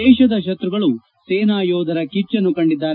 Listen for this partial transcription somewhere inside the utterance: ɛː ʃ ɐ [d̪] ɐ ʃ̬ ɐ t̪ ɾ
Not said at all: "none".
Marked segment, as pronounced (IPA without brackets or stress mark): d̪